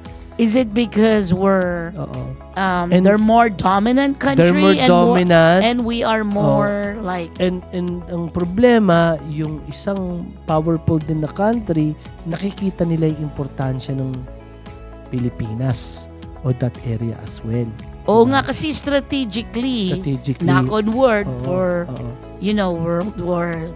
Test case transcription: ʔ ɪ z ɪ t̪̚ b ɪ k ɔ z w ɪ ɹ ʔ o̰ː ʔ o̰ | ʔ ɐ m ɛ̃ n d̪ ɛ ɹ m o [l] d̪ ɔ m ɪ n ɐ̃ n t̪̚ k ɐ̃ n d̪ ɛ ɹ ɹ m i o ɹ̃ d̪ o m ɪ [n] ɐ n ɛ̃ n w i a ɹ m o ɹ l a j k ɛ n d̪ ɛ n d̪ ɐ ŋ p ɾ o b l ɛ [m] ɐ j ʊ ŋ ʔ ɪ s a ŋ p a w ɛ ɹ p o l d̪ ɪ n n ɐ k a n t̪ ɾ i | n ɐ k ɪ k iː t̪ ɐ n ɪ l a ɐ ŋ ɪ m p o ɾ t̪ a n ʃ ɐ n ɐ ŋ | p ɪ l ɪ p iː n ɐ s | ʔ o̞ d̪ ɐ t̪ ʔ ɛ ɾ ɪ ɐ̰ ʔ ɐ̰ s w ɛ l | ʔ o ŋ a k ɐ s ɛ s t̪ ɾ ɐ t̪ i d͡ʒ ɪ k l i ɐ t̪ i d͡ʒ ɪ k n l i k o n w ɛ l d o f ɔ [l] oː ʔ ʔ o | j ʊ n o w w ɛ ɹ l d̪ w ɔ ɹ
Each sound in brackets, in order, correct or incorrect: incorrect: ɹ, correct, correct, incorrect: ɹ

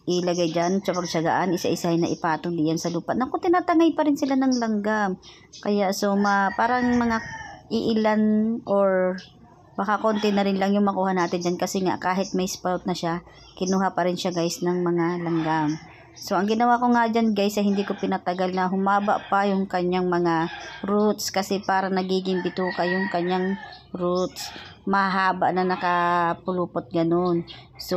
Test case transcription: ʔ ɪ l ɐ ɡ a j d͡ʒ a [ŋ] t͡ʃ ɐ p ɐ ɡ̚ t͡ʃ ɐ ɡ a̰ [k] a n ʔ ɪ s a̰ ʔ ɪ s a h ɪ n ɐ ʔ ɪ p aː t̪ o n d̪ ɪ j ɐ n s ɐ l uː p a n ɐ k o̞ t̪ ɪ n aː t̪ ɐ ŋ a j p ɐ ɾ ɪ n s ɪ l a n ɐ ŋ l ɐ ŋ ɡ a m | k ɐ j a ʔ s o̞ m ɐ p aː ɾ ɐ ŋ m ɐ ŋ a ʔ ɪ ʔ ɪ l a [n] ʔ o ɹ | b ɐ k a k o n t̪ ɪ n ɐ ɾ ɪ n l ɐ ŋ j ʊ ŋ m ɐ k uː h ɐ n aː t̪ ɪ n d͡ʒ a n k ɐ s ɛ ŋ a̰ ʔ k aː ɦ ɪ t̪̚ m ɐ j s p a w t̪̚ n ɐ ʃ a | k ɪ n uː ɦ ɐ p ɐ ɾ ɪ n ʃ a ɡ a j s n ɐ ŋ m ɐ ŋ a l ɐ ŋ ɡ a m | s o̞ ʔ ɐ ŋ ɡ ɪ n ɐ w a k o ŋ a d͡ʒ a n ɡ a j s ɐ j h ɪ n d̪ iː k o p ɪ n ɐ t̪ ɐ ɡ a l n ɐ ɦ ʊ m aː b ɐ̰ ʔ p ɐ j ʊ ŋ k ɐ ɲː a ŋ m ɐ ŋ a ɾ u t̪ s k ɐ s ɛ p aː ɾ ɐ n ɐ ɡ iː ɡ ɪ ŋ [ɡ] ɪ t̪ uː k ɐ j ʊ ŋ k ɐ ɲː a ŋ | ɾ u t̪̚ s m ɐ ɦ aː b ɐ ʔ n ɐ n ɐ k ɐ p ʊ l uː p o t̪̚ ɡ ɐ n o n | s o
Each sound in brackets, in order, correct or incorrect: incorrect: n, incorrect: ʔ, correct, incorrect: b

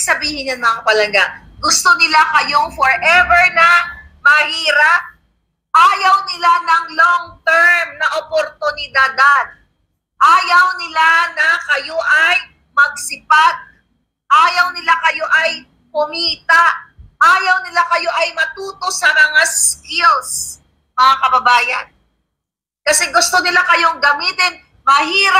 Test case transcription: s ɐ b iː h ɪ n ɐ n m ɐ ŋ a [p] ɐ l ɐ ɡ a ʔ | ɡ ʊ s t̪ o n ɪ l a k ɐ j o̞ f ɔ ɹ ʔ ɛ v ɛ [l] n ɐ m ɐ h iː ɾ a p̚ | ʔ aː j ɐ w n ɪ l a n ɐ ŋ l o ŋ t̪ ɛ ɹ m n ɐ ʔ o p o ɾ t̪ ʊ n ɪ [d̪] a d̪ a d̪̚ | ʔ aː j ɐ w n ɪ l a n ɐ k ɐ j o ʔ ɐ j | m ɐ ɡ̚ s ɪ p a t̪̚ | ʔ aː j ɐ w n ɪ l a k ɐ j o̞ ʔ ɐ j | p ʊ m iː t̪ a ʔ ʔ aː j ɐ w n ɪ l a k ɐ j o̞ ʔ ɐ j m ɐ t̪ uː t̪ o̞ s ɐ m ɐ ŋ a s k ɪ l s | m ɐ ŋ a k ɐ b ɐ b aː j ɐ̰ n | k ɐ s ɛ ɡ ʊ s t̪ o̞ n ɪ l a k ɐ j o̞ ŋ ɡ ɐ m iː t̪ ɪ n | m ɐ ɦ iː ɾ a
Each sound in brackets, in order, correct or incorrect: correct, incorrect: ɹ, correct

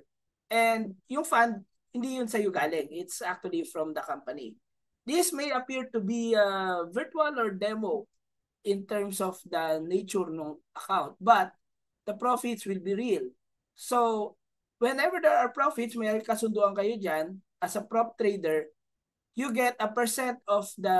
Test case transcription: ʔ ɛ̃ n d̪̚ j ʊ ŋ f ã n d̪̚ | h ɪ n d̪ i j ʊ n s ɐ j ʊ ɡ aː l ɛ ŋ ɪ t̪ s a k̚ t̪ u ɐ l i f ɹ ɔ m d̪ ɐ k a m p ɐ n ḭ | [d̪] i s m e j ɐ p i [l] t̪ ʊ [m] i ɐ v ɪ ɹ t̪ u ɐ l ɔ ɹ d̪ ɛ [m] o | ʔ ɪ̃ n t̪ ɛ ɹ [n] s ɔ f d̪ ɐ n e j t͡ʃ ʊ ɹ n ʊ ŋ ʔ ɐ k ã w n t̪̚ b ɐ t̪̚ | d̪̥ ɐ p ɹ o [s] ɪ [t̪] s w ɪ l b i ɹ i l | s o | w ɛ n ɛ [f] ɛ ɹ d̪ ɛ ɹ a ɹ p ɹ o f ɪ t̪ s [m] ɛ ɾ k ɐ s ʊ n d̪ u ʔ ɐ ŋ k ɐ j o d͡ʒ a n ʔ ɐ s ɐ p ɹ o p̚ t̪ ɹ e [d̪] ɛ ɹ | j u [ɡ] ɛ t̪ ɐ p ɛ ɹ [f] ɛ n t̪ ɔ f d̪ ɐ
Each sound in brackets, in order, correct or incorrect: correct, incorrect: ɹ, incorrect: b, correct, incorrect: m, incorrect: f, correct, incorrect: v, correct, correct, correct, incorrect: s

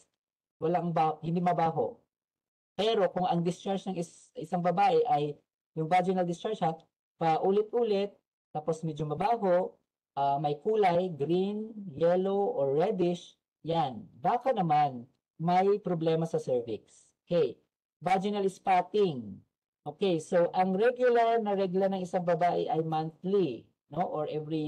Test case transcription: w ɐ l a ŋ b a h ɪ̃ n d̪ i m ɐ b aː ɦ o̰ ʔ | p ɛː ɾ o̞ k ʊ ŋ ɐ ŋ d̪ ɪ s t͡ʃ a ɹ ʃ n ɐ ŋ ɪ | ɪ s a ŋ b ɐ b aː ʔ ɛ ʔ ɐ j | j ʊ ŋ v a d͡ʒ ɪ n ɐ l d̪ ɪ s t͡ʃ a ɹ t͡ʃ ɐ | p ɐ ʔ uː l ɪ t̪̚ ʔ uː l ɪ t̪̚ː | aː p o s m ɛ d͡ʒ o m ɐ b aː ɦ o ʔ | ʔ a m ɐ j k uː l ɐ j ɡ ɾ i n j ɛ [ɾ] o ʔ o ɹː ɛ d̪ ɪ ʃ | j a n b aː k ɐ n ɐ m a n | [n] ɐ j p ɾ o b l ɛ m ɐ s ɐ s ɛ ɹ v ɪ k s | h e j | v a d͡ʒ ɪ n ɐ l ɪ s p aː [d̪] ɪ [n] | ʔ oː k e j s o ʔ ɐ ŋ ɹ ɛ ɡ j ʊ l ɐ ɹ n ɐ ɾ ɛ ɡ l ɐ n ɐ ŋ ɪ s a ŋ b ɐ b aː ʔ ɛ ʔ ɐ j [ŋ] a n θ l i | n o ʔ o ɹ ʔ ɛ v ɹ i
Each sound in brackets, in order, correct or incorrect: incorrect: l, incorrect: m, incorrect: t̪, incorrect: ŋ, incorrect: m

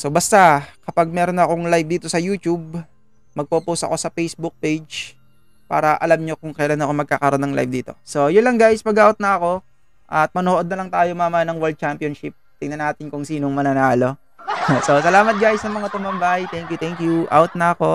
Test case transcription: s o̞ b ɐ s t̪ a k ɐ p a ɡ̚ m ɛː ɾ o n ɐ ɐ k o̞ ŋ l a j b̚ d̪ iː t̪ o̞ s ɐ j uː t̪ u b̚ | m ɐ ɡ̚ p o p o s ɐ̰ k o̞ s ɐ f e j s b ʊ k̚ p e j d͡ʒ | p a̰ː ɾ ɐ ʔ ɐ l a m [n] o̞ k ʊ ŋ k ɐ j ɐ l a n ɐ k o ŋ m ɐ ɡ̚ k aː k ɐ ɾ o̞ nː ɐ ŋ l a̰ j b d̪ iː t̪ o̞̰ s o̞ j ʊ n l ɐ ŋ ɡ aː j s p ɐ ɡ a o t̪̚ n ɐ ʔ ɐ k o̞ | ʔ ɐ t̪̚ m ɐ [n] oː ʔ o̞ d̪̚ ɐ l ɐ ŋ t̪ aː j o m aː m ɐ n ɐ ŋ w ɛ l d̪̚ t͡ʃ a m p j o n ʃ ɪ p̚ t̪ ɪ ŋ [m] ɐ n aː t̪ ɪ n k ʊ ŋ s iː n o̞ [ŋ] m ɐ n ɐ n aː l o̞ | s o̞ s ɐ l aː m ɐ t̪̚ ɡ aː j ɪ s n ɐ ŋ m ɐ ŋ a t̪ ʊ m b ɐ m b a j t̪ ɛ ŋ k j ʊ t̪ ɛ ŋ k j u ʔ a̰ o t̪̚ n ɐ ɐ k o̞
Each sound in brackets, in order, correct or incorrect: incorrect: ɲ, correct, incorrect: n, correct

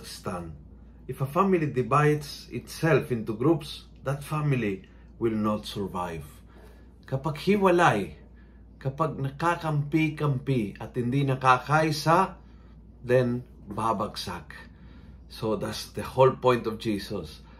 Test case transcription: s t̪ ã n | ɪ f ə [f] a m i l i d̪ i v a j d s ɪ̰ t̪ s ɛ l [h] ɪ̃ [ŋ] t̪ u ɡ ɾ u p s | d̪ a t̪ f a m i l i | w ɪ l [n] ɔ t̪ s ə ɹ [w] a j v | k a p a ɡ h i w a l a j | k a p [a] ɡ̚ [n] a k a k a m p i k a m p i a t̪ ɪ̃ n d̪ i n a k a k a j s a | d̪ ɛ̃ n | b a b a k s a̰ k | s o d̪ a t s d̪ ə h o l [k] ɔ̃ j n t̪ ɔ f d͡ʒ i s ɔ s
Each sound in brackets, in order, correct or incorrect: correct, incorrect: f, incorrect: n, correct, incorrect: v, correct, correct, incorrect: p

